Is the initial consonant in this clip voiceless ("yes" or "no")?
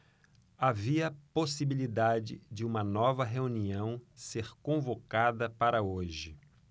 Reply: no